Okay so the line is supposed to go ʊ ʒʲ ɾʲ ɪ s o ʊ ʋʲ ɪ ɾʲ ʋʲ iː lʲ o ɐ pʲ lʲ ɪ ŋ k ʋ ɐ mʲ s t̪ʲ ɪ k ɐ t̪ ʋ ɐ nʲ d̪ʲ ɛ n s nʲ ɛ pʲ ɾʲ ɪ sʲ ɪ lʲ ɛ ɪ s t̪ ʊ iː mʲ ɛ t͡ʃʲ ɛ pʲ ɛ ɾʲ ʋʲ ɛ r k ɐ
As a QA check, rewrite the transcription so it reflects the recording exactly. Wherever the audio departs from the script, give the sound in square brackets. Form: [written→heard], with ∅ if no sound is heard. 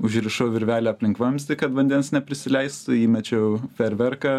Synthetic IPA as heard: ʊ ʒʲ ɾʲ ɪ [s→ʃ] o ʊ ʋʲ ɪ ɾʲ ʋʲ [iː→æː] lʲ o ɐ pʲ lʲ ɪ ŋ k ʋ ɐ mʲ s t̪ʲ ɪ k ɐ t̪ ʋ ɐ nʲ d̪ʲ ɛ n s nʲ ɛ pʲ ɾʲ ɪ sʲ ɪ lʲ ɛ ɪ s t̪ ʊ iː mʲ ɛ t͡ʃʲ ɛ pʲ ɛ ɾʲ ʋʲ ɛ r k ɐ

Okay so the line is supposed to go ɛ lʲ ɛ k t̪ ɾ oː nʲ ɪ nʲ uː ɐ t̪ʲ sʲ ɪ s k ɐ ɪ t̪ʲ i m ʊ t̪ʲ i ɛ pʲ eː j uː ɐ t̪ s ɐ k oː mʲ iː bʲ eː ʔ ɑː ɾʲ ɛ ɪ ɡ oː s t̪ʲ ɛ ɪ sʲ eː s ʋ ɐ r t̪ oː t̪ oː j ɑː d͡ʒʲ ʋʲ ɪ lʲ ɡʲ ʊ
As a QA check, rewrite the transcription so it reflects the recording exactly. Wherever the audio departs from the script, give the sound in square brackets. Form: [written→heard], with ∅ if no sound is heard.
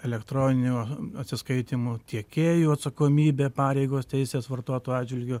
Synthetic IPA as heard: ɛ lʲ ɛ k t̪ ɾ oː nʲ ɪ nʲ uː ɐ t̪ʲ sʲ ɪ s k ɐ ɪ t̪ʲ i m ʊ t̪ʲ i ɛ [pʲ→kʲ] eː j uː ɐ t̪ s ɐ k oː mʲ iː bʲ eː [ʔ→p] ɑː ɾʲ ɛ ɪ ɡ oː s t̪ʲ ɛ ɪ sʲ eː s ʋ ɐ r t̪ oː t̪ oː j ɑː d͡ʒʲ ʋʲ ɪ lʲ ɡʲ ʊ

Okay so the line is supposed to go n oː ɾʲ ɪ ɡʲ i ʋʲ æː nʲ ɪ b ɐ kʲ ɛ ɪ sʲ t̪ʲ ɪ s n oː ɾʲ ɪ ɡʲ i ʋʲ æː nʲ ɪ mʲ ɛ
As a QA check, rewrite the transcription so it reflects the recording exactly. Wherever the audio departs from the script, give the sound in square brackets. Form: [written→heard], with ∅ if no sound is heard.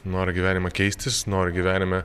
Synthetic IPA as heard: n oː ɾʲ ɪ ɡʲ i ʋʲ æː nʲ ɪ [b→m] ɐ kʲ ɛ ɪ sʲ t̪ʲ ɪ s n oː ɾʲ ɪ ɡʲ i ʋʲ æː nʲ ɪ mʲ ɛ

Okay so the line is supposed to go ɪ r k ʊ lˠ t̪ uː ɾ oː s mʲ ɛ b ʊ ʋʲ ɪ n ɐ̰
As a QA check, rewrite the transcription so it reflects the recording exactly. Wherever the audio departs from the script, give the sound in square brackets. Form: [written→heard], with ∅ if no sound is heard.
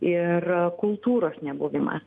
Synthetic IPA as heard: ɪ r k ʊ lˠ t̪ uː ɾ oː s [mʲ→nʲ] ɛ b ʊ ʋʲ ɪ [n→m] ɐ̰

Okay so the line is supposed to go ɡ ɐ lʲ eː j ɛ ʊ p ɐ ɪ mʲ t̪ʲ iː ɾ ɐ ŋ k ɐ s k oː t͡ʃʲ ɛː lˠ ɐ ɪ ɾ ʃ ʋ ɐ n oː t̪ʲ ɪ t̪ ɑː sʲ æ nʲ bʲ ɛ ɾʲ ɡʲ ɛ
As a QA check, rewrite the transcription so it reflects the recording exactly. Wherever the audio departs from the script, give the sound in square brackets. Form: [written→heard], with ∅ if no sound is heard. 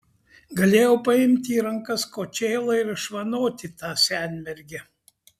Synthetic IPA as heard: ɡ ɐ lʲ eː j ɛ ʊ p ɐ ɪ mʲ t̪ʲ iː ɾ ɐ ŋ k ɐ s k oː t͡ʃʲ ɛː lˠ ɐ ɪ ɾ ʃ ʋ ɐ n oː t̪ʲ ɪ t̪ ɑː sʲ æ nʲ [bʲ→mʲ] ɛ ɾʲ ɡʲ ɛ

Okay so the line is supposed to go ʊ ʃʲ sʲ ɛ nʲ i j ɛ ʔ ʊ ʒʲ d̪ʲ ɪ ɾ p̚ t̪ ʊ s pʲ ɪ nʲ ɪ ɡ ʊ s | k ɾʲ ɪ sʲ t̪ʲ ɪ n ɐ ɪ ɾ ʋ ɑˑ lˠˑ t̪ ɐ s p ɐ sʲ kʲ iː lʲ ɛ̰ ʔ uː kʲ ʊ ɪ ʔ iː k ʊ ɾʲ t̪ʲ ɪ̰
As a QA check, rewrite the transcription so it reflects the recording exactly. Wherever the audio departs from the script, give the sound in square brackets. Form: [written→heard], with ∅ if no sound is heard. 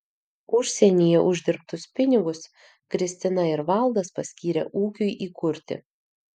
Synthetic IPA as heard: ʊ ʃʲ sʲ ɛ nʲ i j ɛ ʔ ʊ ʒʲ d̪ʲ ɪ ɾ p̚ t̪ ʊ s pʲ ɪ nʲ ɪ ɡ ʊ s | k ɾʲ ɪ sʲ t̪ʲ ɪ n ɐ ɪ ɾ ʋ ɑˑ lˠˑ [t̪→d̪] ɐ s p ɐ sʲ kʲ iː [lʲ→ɾʲ] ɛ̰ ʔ uː kʲ ʊ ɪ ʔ iː k ʊ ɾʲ t̪ʲ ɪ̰

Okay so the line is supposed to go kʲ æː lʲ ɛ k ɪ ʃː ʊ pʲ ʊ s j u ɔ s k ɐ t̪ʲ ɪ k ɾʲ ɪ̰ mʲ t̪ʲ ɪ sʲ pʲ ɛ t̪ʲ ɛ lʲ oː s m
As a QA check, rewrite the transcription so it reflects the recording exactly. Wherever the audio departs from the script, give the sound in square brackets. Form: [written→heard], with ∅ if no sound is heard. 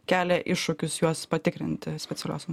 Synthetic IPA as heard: kʲ æː lʲ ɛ [k→ʔ] ɪ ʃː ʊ [pʲ→kʲ] ʊ s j u ɔ s [k→p] ɐ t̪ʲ ɪ k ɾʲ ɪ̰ [mʲ→nʲ] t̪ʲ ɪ sʲ pʲ ɛ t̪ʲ ɛ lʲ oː s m

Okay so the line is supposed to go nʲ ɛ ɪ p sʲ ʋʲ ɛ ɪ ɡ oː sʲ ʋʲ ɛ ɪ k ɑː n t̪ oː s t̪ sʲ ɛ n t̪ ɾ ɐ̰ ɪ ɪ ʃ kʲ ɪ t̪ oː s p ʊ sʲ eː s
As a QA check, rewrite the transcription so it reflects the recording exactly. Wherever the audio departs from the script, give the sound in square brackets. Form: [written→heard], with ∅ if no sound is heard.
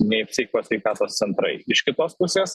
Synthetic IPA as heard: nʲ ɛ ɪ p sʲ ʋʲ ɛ ɪ [ɡ→k] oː sʲ ʋʲ ɛ ɪ k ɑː [n→∅] t̪ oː s t̪ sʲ ɛ n t̪ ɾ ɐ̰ ɪ ɪ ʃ kʲ ɪ t̪ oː s p ʊ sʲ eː s

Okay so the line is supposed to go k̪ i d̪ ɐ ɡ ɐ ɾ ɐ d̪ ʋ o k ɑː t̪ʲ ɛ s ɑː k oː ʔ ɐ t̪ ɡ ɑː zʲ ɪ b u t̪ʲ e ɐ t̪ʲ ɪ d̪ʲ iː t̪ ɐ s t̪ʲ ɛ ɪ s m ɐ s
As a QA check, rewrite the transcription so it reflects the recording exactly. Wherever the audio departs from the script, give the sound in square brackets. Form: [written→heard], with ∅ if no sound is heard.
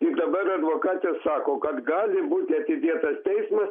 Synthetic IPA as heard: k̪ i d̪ ɐ [ɡ→b] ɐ ɾ ɐ d̪ ʋ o k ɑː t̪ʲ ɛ s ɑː k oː [ʔ→k] ɐ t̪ ɡ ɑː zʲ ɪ b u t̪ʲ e ɐ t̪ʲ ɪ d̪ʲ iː t̪ ɐ s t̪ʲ ɛ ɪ s m ɐ s

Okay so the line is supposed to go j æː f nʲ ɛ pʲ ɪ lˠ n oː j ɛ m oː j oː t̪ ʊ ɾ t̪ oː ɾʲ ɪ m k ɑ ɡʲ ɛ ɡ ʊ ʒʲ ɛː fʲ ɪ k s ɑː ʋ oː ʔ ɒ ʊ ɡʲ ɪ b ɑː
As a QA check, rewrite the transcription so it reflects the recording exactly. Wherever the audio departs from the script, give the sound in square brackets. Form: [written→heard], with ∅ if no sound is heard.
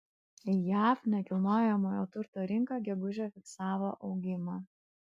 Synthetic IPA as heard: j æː f nʲ ɛ [pʲ→kʲ] ɪ lˠ n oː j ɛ m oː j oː t̪ ʊ ɾ t̪ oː ɾʲ ɪ [m→ŋ] k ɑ ɡʲ ɛ ɡ ʊ ʒʲ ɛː fʲ ɪ k s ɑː ʋ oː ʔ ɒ ʊ ɡʲ ɪ [b→m] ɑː

